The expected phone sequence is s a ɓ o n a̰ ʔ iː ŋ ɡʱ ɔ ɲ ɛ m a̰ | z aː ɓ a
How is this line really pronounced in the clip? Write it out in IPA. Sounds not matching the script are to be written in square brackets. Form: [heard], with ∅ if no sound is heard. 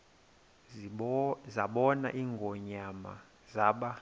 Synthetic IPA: [z] a ɓ [ɔ] n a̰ ʔ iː ŋ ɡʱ ɔ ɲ [a] m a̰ | z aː ɓ a